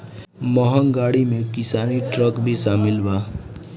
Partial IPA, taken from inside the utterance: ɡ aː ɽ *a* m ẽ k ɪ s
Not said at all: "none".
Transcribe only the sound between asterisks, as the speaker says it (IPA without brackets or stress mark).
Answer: i